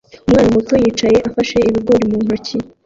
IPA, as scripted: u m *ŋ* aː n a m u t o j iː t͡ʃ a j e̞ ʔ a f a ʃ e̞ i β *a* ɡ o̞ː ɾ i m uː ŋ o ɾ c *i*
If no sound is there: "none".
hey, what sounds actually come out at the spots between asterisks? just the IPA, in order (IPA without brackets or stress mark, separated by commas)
ŋ, i, i